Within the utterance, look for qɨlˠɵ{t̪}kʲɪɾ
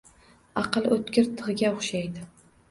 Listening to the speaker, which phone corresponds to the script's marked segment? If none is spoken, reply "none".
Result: t̪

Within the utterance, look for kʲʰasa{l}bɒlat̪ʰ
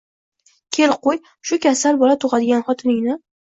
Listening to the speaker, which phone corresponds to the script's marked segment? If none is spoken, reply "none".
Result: l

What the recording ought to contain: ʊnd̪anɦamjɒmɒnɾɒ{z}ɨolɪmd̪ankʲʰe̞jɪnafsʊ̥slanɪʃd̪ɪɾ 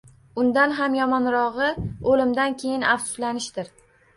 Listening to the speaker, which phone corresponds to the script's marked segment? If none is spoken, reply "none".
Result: ʁ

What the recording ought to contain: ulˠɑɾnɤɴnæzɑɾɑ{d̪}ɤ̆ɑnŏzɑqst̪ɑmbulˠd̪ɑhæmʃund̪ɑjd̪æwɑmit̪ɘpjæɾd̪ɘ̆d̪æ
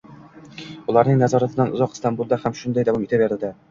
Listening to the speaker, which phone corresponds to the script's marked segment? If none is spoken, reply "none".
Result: t̪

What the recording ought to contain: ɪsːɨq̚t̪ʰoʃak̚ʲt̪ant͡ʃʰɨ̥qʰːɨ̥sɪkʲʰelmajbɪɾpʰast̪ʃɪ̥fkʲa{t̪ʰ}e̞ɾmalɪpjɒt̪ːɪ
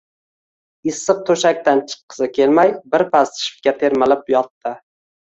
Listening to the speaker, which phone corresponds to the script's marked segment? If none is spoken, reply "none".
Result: t̪ʰ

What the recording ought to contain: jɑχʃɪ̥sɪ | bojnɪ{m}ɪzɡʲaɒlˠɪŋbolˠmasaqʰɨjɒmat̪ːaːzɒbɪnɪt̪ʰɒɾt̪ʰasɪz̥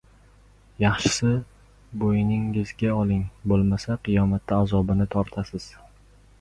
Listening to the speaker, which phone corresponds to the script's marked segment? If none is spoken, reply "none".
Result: ŋ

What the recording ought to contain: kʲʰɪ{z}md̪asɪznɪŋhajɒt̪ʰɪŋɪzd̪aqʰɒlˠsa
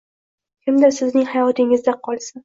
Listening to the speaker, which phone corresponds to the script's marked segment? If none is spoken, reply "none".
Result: none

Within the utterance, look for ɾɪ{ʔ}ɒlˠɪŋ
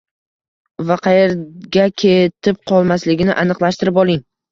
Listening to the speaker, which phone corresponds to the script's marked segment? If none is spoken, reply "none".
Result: p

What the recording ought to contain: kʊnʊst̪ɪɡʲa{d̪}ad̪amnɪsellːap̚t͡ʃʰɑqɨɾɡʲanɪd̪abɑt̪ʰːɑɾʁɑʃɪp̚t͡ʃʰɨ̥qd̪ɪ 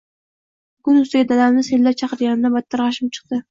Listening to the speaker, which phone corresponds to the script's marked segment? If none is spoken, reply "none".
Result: d̪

